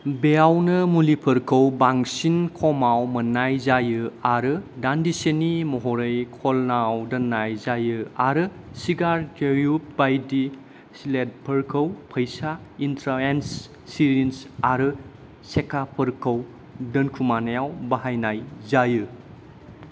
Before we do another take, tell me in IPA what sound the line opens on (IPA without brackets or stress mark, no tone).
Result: b